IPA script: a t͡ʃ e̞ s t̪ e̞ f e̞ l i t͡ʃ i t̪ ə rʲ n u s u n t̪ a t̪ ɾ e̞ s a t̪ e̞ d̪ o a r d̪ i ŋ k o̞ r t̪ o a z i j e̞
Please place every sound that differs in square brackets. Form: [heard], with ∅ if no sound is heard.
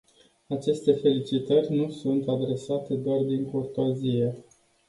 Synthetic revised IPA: a t͡ʃ e̞ s t̪ e̞ f e̞ l i t͡ʃ i t̪ ə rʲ n u s u n t̪ a [d̪] ɾ e̞ s a t̪ e̞ d̪ o a r d̪ i ŋ k o̞ r t̪ o a z i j e̞

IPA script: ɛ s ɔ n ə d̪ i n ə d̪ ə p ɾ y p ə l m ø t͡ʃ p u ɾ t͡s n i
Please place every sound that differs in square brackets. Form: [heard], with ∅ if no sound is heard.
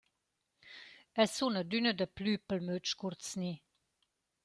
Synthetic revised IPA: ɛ s [u] n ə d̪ [y] n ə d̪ ə p [l] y p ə l m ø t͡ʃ [k] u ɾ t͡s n i

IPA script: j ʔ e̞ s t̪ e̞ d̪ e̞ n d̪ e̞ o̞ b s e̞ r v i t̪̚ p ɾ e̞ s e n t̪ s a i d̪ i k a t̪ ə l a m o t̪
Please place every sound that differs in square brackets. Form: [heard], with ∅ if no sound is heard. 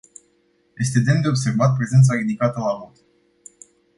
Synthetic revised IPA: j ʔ e̞ s t̪ e̞ d̪ e̞ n d̪ e̞ o̞ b s e̞ r v [a] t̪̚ p ɾ e̞ [z] e n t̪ s a i d̪ i k a t̪ ə l a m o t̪

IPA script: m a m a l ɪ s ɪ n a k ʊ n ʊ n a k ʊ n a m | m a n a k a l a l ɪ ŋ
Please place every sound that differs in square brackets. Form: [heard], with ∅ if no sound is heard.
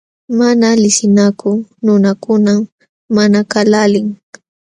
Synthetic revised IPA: m a [n] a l ɪ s ɪ n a k ʊ n ʊ n a k ʊ n a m | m a n a k a l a l ɪ ŋ

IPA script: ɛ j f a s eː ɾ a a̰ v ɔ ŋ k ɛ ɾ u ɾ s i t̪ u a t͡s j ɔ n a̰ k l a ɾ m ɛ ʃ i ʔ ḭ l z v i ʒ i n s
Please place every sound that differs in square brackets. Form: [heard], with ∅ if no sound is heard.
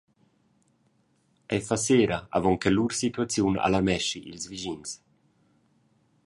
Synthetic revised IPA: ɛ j f a s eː ɾ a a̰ v ɔ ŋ k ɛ [l] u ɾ s i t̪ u a t͡s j [u] n a̰ [∅] l a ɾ m ɛ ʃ i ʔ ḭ l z v i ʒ i n s

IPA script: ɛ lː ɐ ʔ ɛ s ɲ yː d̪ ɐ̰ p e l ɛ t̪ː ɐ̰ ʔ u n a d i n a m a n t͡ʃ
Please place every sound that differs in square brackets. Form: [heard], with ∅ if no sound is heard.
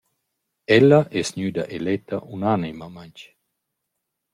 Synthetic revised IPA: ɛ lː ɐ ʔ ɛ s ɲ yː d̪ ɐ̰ [ʔ] e l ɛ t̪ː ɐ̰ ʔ u n a [n] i [m] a m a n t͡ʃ

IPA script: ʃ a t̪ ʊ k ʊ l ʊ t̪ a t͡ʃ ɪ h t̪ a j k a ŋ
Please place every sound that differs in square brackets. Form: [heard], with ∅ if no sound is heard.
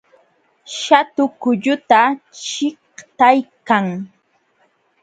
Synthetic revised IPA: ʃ a t̪ ʊ k ʊ [ʎ] ʊ t̪ a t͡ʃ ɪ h t̪ a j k a ŋ

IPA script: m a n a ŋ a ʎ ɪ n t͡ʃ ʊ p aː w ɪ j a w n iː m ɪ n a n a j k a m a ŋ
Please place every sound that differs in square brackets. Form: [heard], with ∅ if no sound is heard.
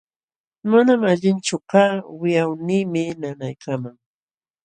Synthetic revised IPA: m a n a [m] a ʎ ɪ n t͡ʃ ʊ [k] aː w ɪ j a w n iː m ɪ n a n a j k a m a ŋ

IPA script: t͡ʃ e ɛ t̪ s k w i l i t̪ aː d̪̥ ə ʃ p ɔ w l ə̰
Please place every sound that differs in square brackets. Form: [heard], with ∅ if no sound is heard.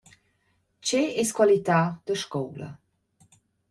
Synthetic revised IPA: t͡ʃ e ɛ [∅] s k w [a] l i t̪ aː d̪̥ ə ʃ [k] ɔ w l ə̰

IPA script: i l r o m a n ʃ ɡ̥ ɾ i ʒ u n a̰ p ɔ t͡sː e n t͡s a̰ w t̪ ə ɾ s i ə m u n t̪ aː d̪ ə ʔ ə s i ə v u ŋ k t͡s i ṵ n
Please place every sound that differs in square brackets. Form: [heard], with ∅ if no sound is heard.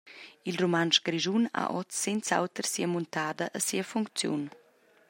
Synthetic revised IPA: i l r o m a n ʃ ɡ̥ ɾ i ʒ u n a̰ [ʔ] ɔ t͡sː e n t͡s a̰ w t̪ ə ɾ s i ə m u n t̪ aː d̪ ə ʔ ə s i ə [f] u ŋ k t͡s [j] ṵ n

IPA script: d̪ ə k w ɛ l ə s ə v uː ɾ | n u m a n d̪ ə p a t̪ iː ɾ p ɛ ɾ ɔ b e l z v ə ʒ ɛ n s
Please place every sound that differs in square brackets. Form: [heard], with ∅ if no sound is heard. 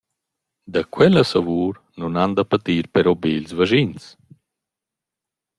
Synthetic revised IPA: d̪ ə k w ɛ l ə s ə v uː ɾ | n u [n] a n d̪ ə p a t̪ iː ɾ p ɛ ɾ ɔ b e l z v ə ʒ [i] n s

